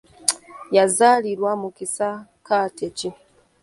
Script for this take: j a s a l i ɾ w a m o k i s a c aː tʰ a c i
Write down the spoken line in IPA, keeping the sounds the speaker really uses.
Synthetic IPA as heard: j a z a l i ɾ w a m u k i s a k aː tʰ e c i